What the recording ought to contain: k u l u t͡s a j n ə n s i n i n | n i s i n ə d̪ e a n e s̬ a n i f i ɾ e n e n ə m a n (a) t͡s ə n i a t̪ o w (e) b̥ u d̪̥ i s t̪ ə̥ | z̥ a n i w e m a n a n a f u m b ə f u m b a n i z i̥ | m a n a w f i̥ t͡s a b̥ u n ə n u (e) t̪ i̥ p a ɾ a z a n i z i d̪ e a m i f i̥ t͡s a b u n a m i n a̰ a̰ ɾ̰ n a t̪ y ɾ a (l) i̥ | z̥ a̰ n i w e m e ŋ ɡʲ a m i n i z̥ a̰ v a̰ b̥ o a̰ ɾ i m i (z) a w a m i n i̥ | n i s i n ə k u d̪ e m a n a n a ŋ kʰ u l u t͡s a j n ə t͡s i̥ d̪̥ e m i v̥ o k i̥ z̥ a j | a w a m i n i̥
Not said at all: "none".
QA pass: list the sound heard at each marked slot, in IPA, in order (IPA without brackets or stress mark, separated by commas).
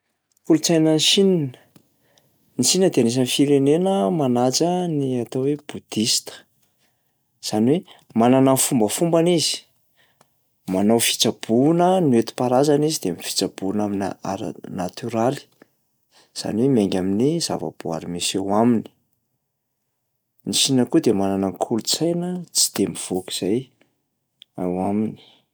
a, e, e, l, s